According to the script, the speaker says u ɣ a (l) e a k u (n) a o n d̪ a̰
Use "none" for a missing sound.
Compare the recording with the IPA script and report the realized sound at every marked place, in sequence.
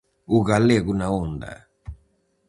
l, n

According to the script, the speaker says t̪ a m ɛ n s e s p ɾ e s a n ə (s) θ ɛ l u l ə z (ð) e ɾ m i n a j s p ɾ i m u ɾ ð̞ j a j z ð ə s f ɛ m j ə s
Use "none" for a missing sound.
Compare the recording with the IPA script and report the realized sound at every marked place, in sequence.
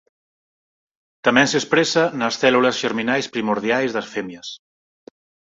s, ʒ

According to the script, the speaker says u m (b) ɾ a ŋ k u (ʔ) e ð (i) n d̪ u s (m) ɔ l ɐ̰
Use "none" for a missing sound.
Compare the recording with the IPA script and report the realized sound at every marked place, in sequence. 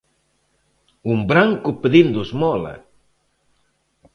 b, p, i, m

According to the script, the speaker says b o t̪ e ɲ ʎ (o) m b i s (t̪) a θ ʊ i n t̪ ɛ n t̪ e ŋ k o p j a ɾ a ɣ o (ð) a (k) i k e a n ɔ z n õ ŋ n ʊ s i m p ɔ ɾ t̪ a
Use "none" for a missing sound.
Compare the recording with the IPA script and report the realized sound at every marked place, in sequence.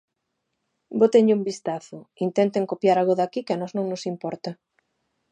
u, t̪, ð, k

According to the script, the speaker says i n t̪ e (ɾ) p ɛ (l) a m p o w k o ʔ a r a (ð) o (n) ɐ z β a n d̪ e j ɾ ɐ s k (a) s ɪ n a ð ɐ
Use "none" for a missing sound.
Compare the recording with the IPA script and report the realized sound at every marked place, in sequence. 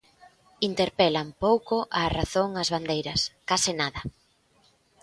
ɾ, l, θ, ŋ, a

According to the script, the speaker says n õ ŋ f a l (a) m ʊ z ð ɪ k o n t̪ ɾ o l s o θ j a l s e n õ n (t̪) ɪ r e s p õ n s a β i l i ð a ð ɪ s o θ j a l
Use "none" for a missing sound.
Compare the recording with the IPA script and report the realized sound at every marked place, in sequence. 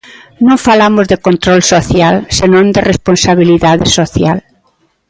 a, d̪

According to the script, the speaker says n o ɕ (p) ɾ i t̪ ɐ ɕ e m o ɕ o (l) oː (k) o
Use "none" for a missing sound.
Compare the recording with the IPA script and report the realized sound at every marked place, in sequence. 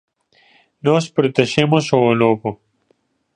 p, l, p

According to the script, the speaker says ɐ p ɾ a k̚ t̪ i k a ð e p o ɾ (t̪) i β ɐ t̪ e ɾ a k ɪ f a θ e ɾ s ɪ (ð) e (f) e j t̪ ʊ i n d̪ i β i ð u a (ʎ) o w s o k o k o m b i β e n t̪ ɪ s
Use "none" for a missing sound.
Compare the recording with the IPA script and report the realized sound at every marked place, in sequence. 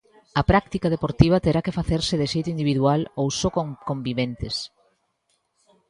t̪, ð, ʃ, l

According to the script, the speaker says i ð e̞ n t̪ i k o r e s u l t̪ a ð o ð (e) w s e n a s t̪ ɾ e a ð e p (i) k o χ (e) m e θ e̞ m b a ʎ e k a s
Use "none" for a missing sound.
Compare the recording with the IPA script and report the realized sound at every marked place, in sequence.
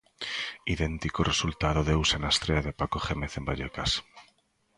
e, a, e

